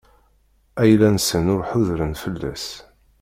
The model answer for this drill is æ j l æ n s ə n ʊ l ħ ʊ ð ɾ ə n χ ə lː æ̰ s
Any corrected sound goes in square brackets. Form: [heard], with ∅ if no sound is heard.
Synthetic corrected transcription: æ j l æ n s ə n ʊ [ɾ] ħ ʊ ð ɾ ə n [f] ə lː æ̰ s